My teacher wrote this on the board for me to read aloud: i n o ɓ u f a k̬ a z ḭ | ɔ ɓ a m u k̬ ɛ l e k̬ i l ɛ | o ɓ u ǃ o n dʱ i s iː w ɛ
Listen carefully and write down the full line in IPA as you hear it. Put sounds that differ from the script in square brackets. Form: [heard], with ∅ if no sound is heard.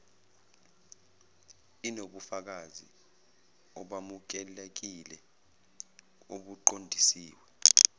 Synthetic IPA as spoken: i n o ɓ u f a k̬ a z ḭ | ɔ ɓ a m u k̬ ɛ l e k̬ i l ɛ | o ɓ u ǃ o n dʱ i s iː w ɛ